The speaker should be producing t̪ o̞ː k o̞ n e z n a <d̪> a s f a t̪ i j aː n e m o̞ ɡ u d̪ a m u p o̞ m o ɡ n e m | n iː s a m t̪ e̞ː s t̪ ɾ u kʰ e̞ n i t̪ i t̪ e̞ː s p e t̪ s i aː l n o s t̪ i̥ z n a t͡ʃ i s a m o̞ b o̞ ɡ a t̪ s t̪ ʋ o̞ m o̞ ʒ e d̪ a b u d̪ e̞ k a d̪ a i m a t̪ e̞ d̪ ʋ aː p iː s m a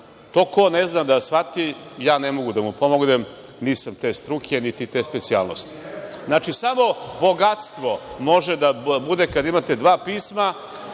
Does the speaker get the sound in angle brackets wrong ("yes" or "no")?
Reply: no